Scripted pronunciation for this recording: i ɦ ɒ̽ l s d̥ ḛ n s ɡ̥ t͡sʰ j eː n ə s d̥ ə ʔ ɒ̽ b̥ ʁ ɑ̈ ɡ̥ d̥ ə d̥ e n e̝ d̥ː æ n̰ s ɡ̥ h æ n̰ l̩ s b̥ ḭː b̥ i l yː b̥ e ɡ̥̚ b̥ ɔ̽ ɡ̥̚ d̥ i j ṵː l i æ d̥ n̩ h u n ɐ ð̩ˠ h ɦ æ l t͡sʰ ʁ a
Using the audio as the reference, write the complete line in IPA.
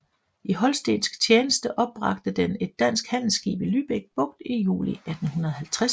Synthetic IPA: i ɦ ɒ̽ l s d̥ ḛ n s ɡ̥ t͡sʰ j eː n ə s d̥ ə ʔ ɒ̽ b̥ ʁ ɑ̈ ɡ̥ d̥ ə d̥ e n e̝ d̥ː æ n̰ s ɡ̥ h æ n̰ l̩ s ɡ̥ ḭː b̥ i l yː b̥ e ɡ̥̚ b̥ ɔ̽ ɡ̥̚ d̥ i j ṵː l i æ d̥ n̩ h u n ɐ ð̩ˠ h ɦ æ l t͡sʰ ʁ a

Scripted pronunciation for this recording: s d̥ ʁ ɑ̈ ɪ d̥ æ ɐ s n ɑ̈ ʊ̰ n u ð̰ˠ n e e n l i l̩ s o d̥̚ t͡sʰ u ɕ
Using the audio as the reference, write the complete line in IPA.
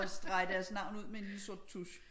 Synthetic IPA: s d̥ ʁ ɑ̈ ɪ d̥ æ ɐ s n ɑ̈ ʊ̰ n u ð̰ˠ m e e n l i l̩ s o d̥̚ t͡sʰ u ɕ

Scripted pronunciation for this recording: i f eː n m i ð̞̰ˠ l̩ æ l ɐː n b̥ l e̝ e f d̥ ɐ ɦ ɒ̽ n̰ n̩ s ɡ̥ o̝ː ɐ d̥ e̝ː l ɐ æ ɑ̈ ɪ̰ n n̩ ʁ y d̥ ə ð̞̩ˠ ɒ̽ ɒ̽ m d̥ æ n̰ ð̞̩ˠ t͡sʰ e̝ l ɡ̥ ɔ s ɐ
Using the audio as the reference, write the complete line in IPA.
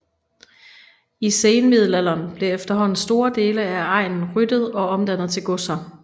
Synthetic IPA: i s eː n m i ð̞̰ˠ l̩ æ l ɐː n b̥ l e̝ e f d̥ ɐ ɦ ɒ̽ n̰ n̩ s d̥ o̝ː ɐ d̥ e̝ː l ə æ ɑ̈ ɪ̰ n n̩ ʁ y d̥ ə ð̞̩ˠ ɒ̽ ɒ̽ m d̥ æ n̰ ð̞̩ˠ t͡sʰ e̝ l ɡ̥ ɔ s ɐ

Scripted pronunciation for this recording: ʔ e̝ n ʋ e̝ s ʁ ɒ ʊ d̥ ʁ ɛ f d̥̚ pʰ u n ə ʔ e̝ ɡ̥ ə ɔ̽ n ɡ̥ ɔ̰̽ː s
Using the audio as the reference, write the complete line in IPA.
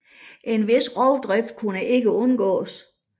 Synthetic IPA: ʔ e̝ n ʋ e̝ s ʁ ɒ ʊ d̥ ʁ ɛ f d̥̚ kʰ u n ə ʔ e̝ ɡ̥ ə ɔ̽ n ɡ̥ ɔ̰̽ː s

